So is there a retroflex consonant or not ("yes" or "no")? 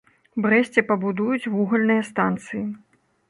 no